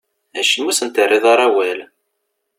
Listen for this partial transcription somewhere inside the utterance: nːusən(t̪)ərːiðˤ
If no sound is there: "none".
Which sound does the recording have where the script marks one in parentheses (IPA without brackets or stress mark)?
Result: t̪